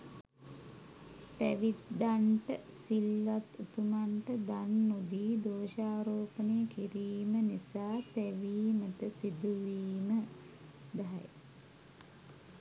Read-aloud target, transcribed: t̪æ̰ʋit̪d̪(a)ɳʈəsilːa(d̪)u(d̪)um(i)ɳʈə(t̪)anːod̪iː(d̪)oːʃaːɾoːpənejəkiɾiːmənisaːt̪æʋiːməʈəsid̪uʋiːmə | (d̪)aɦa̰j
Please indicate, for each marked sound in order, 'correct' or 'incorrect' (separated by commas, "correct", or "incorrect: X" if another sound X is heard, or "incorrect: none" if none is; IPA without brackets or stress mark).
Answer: correct, incorrect: t̪, incorrect: t̪, incorrect: a, incorrect: d̪, correct, correct